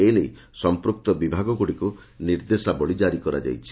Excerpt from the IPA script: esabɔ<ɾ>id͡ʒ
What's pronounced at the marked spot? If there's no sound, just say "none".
ɭ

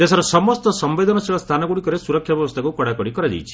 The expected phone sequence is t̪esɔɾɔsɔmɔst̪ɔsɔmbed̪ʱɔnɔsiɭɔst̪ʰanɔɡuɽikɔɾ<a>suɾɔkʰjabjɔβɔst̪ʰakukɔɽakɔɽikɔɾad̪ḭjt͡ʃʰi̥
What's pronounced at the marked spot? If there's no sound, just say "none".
e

